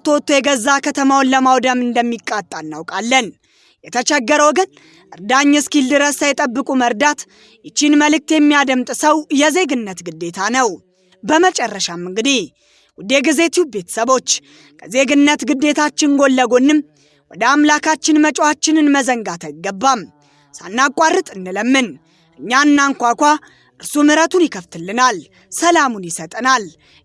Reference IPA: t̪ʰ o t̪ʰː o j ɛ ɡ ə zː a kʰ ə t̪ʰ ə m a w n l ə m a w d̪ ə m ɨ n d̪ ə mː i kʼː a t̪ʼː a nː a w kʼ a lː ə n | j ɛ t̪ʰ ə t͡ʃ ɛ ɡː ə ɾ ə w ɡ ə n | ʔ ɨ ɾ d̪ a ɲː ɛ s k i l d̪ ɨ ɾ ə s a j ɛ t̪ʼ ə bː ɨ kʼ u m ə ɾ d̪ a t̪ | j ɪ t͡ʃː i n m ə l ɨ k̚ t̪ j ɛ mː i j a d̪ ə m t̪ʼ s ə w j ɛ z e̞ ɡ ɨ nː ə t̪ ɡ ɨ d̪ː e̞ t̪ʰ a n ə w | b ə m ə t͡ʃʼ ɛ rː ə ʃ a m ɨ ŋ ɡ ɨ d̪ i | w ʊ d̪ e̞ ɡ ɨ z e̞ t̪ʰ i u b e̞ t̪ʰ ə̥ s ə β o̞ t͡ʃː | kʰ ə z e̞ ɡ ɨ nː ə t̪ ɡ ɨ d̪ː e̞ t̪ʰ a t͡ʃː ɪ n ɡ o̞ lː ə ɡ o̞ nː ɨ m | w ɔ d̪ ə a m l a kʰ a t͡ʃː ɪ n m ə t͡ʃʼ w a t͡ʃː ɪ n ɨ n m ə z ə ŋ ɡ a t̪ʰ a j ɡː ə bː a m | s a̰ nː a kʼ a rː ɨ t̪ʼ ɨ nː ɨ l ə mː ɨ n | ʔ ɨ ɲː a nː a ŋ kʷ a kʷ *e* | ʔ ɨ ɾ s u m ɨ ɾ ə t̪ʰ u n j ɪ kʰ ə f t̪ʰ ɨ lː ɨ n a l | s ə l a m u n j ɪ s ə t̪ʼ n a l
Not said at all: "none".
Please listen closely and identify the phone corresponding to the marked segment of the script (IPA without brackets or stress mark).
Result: a